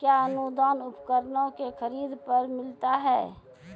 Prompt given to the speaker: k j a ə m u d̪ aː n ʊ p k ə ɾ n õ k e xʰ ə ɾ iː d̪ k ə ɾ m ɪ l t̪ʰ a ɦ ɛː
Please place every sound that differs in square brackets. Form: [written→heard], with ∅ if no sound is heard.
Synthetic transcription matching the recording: k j a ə [m→n] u d̪ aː n ʊ p k ə ɾ n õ k e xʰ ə ɾ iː d̪ [k→p] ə ɾ m ɪ l [t̪ʰ→t̪] a ɦ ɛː